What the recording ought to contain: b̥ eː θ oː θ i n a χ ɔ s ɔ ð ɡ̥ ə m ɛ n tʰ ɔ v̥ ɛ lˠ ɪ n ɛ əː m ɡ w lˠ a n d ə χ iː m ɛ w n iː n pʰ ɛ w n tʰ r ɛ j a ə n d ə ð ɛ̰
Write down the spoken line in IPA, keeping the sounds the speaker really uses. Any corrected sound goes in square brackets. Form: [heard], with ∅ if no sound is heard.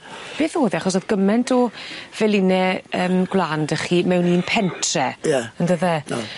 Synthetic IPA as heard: b̥ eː θ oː [ð] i [∅] a χ ɔ s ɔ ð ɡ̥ ə m ɛ n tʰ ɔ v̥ ɛ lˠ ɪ n ɛ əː m ɡ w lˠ a n d ə χ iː m ɛ w n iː n pʰ ɛ [∅] n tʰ r ɛ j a ə n d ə ð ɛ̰